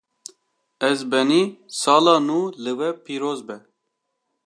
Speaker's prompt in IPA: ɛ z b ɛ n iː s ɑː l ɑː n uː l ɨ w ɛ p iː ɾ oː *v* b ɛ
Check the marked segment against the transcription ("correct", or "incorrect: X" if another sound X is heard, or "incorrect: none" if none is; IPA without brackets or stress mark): incorrect: z